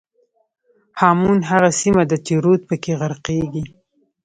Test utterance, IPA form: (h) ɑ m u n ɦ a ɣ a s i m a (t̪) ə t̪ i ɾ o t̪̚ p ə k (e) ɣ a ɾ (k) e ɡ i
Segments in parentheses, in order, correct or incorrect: correct, incorrect: d̪, correct, incorrect: q

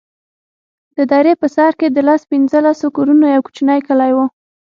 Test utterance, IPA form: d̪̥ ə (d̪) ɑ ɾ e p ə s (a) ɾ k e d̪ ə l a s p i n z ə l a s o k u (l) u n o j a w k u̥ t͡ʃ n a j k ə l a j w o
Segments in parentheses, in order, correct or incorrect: correct, incorrect: ɑ, incorrect: ɾ

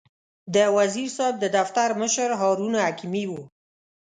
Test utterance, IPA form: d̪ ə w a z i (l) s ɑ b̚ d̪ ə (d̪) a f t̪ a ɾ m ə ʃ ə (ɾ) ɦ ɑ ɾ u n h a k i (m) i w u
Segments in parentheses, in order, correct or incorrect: incorrect: ɾ, correct, correct, correct

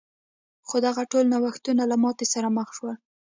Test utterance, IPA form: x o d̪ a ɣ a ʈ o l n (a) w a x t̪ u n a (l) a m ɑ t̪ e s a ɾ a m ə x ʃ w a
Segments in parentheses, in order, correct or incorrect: correct, correct

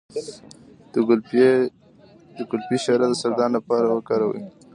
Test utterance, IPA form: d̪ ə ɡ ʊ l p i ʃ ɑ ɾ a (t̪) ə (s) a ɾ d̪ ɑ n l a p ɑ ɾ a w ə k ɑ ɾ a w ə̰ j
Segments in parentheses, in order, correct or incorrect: incorrect: d̪, correct

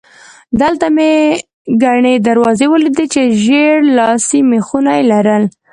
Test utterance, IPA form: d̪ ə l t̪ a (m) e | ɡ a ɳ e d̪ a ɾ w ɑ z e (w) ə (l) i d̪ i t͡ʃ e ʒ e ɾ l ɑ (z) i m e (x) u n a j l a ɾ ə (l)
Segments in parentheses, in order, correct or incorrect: correct, correct, correct, incorrect: s, correct, correct

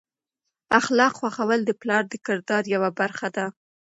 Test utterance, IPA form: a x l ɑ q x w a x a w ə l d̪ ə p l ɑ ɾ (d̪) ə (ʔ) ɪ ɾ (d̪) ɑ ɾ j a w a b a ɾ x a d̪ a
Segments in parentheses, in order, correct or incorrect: correct, incorrect: k, correct

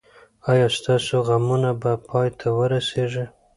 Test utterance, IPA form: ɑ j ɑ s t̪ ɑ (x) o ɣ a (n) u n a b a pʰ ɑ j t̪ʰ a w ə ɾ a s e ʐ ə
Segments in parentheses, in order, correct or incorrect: incorrect: s, incorrect: m

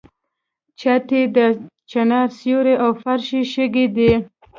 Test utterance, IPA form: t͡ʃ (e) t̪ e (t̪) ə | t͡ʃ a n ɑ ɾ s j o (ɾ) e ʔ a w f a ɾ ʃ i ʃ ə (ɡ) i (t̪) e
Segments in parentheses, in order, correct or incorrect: incorrect: a, incorrect: d̪, correct, correct, incorrect: d̪

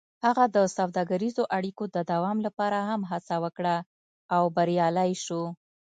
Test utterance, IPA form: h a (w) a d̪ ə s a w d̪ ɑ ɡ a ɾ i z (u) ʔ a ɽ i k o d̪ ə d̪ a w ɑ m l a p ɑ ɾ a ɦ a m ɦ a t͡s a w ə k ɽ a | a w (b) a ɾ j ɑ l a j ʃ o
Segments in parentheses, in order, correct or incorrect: incorrect: ɣ, incorrect: o, correct

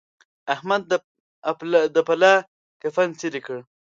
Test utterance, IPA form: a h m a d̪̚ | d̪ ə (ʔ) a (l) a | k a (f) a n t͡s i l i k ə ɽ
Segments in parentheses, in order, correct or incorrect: incorrect: p, correct, correct

